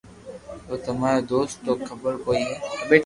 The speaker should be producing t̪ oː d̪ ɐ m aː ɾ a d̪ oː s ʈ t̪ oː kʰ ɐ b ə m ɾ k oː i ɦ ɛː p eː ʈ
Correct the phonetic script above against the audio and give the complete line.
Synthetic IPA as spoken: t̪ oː t̪ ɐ m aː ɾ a d̪ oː s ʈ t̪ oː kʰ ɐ b ə ɾ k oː i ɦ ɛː b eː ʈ